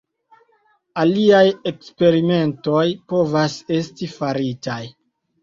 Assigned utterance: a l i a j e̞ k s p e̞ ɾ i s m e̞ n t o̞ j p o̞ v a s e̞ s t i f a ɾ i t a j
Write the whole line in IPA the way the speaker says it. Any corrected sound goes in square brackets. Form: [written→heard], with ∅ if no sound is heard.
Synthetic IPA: a l i a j e̞ k s p e̞ ɾ i [s→∅] m e̞ n t o̞ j p o̞ v a s e̞ s t i f a ɾ i t a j